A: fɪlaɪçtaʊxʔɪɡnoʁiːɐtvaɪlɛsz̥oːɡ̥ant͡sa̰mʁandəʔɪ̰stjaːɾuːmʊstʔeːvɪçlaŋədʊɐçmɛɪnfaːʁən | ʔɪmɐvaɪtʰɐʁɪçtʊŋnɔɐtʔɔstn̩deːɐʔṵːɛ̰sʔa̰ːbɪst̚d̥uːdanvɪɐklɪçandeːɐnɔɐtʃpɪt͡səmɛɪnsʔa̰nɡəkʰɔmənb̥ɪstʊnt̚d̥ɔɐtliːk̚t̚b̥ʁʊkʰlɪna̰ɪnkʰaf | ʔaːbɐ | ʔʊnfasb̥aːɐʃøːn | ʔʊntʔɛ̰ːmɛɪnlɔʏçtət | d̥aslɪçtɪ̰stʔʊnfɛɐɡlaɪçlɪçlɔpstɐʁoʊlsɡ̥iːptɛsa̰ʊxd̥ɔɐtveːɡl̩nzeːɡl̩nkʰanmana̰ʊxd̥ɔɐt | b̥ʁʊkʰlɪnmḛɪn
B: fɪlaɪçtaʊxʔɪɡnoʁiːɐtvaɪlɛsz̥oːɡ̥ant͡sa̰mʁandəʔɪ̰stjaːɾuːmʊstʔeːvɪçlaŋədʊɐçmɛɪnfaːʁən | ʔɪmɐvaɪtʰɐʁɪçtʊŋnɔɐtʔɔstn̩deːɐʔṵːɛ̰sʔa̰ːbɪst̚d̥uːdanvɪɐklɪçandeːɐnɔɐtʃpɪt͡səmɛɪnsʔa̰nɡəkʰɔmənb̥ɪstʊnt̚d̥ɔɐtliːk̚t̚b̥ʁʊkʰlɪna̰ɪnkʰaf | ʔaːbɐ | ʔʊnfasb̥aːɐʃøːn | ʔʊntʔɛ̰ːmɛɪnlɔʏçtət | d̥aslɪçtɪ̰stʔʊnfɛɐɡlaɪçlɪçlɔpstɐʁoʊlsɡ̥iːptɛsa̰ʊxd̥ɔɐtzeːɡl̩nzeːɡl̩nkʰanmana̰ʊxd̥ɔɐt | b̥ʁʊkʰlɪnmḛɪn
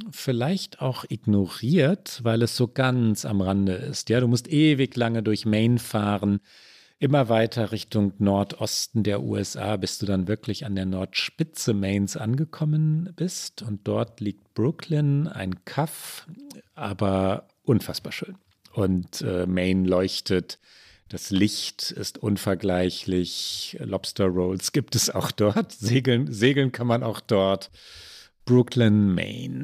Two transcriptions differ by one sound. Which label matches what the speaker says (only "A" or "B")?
B